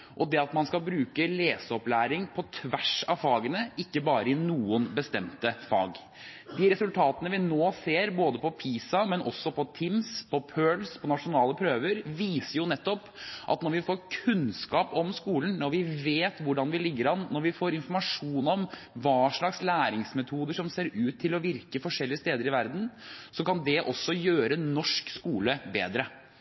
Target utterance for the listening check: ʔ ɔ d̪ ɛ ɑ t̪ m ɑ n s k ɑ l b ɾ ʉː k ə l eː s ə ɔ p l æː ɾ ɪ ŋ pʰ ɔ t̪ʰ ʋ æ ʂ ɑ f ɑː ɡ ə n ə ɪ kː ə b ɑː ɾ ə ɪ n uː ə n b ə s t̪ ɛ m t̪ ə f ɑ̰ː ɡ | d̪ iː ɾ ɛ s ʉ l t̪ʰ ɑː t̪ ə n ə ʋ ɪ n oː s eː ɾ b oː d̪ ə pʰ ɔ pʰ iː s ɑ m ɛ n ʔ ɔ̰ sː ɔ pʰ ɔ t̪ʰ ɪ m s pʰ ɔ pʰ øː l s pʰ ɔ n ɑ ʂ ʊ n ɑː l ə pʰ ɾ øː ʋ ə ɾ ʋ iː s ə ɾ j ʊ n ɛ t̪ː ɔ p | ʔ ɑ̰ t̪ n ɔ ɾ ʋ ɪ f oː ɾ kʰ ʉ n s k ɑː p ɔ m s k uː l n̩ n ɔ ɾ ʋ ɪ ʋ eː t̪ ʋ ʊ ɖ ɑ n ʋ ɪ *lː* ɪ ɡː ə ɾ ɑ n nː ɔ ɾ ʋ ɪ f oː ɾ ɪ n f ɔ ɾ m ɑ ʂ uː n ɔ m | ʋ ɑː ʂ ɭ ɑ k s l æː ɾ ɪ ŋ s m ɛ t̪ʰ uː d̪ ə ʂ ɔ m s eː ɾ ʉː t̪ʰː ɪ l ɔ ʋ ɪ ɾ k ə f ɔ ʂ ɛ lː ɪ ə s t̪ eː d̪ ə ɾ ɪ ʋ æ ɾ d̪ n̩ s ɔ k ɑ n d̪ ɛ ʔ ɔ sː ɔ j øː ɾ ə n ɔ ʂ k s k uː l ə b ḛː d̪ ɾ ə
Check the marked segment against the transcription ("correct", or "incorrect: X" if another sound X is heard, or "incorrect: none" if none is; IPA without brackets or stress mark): incorrect: l